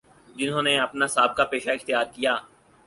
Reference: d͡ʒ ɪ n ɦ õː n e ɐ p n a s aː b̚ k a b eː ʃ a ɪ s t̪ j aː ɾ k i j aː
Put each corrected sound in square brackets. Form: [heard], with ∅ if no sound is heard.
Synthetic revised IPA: d͡ʒ ɪ n ɦ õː n e ɐ p n a s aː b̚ k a [p] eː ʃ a ɪ [x] t̪ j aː ɾ k i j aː